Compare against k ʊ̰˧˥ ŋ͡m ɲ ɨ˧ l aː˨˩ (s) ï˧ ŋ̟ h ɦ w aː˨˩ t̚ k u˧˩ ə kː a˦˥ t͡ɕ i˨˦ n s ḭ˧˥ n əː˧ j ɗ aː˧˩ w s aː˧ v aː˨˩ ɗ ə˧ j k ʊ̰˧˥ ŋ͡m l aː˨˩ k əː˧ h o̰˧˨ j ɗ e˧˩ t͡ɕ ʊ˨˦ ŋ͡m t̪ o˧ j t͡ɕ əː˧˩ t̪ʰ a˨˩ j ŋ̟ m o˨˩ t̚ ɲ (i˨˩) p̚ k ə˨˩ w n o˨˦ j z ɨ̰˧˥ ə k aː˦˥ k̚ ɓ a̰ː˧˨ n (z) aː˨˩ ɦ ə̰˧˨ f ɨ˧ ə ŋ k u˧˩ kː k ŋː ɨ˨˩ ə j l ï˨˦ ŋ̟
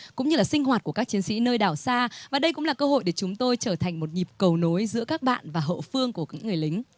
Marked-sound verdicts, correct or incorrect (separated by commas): correct, correct, incorrect